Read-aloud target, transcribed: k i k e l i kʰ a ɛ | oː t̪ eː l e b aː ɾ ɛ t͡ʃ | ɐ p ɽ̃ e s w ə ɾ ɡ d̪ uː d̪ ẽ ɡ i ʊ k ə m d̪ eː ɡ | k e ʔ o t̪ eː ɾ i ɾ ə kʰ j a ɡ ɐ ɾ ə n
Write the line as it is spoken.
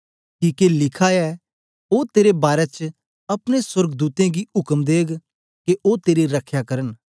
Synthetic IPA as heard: k iː k e l ɪ kʰ a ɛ | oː t̪ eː ɾ e b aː ɾ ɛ t͡ʃ | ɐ p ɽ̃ e s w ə ɾ ɡ d̪ uː t̪ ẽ ɡ i ʊ k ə m d̪ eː ɡ | k e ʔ o t̪ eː ɾ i ɾ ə kʰ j a k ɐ ɾ ə n